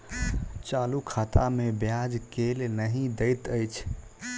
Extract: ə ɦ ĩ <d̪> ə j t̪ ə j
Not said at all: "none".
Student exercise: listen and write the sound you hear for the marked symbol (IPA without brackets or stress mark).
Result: d̪